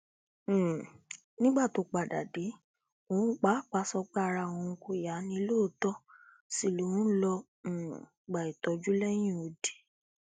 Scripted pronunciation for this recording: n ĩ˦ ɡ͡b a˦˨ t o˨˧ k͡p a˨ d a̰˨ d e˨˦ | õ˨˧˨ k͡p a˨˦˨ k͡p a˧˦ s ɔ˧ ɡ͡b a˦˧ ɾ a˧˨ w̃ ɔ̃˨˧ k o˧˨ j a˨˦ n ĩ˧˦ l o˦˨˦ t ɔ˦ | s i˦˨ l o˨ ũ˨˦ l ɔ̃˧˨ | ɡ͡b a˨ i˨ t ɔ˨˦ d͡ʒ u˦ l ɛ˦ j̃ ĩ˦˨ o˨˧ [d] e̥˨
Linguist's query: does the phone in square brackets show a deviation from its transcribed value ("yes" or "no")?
no